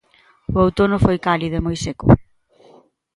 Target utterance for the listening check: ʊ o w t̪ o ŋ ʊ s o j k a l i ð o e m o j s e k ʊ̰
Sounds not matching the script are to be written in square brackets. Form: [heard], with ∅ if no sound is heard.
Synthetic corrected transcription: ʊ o w t̪ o [n] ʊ [f] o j k a l i ð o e m o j s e k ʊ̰